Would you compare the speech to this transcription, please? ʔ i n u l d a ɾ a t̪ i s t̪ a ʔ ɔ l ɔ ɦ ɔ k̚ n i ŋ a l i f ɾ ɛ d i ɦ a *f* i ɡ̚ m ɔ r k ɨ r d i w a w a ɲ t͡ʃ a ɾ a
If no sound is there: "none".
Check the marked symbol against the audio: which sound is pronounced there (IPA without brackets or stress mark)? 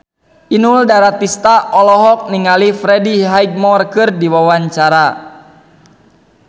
none